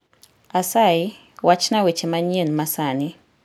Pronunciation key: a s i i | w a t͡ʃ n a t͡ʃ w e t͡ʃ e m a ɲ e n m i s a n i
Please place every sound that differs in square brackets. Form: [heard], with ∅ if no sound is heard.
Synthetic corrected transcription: a s [a] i | w a t͡ʃ n a [∅] w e t͡ʃ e m a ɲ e n m [a] s a n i